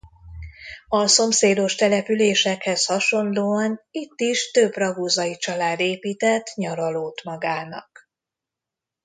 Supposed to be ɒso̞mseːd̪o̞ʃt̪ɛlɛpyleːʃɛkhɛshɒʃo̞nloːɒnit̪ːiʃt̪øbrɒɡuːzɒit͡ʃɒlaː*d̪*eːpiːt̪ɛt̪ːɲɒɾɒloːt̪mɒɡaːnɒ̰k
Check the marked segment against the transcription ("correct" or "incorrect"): correct